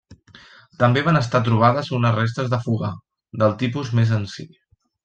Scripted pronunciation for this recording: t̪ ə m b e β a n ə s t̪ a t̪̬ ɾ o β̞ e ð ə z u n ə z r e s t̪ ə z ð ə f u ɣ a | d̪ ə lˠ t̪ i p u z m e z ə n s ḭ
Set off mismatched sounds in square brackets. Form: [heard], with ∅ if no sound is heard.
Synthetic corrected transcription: t̪ ə m b e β a n ə s t̪ a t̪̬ ɾ [u] β̞ [a] ð ə z u n ə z r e s t̪ ə z ð ə f u ɣ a | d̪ ə lˠ t̪ i p u z m e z ə n s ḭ

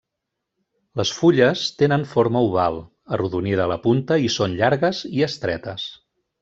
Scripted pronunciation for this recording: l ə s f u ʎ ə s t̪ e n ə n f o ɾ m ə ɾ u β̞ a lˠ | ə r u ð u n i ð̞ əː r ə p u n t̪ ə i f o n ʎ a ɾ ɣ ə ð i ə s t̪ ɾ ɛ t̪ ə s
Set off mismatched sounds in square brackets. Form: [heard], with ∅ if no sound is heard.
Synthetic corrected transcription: l ə s f u ʎ ə s t̪ e n ə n f o ɾ m ə [∅] u β̞ a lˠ | ə r u ð u n i ð̞ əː [l] ə p u n t̪ ə i [s] o n ʎ a ɾ ɣ ə [z] i ə s t̪ ɾ ɛ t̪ ə s

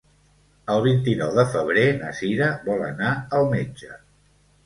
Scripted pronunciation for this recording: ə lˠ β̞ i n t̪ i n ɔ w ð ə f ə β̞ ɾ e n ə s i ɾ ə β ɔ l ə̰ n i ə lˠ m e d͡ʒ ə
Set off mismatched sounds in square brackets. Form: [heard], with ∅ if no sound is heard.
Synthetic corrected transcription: ə lˠ β̞ i n t̪ i n ɔ w ð ə f ə β̞ ɾ e n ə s i ɾ ə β ɔ l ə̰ n [a] ə lˠ m e d͡ʒ ə

